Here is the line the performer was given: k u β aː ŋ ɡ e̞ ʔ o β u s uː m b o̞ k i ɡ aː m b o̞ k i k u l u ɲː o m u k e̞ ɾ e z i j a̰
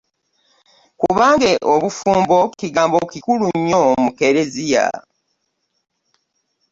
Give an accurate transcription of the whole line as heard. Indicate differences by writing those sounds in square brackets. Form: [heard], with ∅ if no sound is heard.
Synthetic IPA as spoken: k u β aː ŋ ɡ e̞ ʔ o β u [f] uː m b o̞ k i ɡ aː m b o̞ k i k u l u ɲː o m u k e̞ ɾ e z i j a̰